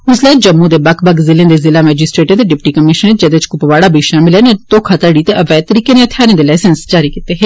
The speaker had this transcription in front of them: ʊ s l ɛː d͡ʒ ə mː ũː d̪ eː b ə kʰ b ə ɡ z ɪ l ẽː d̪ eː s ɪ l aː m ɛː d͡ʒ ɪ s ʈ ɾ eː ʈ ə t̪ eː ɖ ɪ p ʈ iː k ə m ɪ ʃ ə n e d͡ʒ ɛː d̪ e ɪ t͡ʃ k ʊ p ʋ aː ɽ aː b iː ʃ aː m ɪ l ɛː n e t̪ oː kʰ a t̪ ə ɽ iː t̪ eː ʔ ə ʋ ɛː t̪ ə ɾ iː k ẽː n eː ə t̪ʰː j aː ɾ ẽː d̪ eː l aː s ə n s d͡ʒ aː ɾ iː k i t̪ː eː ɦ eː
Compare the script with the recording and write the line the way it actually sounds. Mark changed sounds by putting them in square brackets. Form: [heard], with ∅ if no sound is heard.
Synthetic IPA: ʊ s l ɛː d͡ʒ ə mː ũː d̪ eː b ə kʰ b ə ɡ z ɪ l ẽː d̪ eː [z] ɪ l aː m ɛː d͡ʒ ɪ s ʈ ɾ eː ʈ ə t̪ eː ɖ ɪ p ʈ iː k ə m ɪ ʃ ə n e d͡ʒ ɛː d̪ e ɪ t͡ʃ k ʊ p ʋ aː ɽ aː b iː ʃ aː m ɪ l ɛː n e t̪ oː kʰ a t̪ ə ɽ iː t̪ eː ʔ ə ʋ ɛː t̪ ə ɾ iː k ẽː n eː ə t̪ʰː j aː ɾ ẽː d̪ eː l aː s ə n s d͡ʒ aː ɾ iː k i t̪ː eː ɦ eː